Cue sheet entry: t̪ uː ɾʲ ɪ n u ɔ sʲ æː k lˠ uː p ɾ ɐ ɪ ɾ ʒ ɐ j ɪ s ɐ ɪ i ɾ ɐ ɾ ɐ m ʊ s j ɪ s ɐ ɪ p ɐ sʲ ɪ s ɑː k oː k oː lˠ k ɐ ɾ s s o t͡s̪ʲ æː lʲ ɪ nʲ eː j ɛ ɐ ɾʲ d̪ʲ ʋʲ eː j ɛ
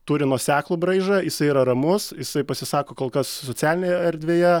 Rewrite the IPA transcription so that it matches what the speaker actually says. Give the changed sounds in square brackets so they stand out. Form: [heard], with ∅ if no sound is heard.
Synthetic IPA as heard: t̪ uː ɾʲ ɪ n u ɔ sʲ æː k lˠ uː [b] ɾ ɐ ɪ [∅] ʒ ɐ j ɪ s ɐ ɪ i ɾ ɐ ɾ ɐ m ʊ s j ɪ s ɐ ɪ p ɐ sʲ ɪ s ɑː k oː k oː lˠ k ɐ [∅] s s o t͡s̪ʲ æː lʲ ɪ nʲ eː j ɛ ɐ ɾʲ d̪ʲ ʋʲ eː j ɛ